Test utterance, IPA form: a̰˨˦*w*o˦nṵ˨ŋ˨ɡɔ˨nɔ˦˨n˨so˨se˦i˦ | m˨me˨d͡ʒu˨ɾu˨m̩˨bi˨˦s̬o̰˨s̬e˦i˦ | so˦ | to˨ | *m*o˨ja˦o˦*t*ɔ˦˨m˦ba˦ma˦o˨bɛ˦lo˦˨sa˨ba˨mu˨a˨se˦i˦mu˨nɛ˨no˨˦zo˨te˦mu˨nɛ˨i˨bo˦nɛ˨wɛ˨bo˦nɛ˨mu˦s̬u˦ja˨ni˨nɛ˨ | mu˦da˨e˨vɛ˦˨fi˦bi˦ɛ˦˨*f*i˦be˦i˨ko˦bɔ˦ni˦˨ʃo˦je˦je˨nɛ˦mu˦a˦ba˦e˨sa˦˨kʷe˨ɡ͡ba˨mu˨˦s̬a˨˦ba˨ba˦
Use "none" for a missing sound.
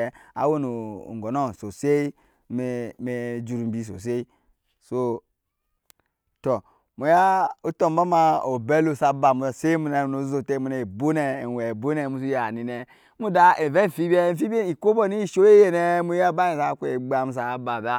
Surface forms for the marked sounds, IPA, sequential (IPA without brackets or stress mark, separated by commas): w, m, t, f